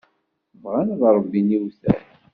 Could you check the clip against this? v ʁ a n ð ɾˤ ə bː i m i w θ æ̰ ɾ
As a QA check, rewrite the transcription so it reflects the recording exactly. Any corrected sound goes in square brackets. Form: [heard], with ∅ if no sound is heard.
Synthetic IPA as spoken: v ʁ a n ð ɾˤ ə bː i [n] i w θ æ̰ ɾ